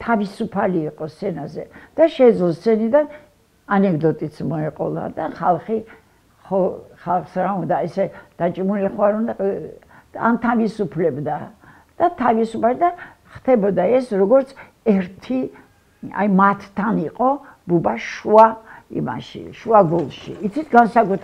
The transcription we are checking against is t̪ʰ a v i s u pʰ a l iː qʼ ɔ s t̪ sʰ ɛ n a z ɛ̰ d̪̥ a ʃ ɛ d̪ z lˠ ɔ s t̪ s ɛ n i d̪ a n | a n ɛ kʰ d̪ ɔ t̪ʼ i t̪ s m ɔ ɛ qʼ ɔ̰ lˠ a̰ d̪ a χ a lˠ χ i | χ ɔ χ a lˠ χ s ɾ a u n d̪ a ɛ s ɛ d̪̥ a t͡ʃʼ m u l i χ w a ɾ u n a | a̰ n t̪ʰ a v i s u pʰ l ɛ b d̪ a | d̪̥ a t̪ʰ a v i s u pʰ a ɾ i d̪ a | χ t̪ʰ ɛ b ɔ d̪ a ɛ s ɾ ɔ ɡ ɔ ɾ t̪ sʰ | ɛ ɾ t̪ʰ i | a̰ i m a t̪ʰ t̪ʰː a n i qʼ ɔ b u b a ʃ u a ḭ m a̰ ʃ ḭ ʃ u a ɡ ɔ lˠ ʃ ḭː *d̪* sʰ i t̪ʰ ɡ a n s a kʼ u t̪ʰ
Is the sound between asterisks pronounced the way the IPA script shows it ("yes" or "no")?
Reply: no